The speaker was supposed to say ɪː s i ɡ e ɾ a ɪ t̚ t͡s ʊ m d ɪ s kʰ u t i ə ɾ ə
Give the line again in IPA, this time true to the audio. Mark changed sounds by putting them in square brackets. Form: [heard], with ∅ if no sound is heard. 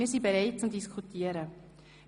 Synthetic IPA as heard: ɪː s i [b] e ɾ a ɪ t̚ t͡s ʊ m d [i] s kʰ u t i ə ɾ ə